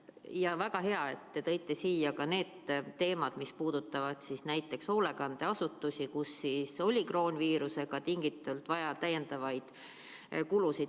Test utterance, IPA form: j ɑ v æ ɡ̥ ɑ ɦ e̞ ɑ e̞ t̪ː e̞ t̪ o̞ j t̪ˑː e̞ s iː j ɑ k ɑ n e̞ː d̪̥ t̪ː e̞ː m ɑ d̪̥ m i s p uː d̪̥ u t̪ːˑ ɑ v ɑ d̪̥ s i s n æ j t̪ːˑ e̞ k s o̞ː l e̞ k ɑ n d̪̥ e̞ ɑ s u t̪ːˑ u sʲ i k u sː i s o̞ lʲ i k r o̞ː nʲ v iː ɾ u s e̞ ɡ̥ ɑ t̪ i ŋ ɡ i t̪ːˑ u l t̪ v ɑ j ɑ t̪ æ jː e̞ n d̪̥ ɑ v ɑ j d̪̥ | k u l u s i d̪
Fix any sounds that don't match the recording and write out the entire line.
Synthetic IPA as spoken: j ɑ v æ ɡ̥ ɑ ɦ e̞ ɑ e̞ t̪ː e̞ t̪ ɤ̞ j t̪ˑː e̞ s iː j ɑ k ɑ n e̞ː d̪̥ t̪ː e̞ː m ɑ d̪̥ m i s p uː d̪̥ u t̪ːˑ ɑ v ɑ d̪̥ s i s n æ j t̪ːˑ e̞ k s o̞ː l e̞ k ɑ n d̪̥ e̞ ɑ s u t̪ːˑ u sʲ i k u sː i s o̞ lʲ i k r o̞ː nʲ v iː ɾ u s e̞ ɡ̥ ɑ t̪ i ŋ ɡ i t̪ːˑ u l t̪ v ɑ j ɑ t̪ æ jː e̞ n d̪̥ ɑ v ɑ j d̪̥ | k u l u s i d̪